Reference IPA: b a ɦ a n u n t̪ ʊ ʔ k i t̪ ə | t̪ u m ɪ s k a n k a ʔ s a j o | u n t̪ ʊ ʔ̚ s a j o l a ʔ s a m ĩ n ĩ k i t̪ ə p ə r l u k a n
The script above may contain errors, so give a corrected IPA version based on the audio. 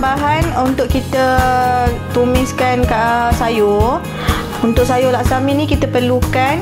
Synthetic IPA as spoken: b a ɦ a n u n t̪ ʊ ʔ k i t̪ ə | t̪ u m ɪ s k a n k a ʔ s a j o | u n t̪ ʊ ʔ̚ s a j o l a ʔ s a m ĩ n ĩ k i t̪ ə p ə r l u k a n